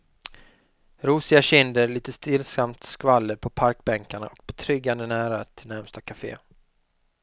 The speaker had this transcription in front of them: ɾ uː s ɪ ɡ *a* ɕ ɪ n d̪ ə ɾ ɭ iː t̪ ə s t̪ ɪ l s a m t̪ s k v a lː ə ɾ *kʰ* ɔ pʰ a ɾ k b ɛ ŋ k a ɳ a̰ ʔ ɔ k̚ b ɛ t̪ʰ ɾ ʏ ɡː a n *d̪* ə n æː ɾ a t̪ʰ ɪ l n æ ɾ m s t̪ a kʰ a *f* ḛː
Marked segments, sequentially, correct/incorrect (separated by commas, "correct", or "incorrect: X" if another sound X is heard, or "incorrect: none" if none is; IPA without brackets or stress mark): correct, incorrect: pʰ, correct, correct